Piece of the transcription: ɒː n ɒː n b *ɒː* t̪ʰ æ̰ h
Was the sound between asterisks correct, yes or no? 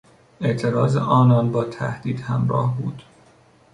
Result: yes